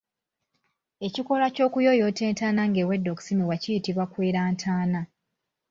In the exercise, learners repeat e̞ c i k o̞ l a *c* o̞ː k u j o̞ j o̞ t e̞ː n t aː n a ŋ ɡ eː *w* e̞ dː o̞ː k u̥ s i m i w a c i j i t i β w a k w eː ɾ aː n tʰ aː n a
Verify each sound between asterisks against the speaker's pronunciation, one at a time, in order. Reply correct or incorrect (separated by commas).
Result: correct, correct